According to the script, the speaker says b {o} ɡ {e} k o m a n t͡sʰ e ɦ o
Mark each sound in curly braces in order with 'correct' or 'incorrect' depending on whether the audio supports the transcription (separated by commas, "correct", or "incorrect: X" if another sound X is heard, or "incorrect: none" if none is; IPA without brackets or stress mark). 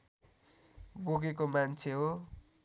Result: correct, correct